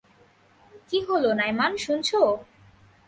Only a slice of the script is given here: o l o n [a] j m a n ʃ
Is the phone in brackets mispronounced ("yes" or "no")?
no